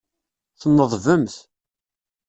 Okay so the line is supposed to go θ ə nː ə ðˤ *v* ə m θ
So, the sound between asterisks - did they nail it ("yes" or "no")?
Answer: yes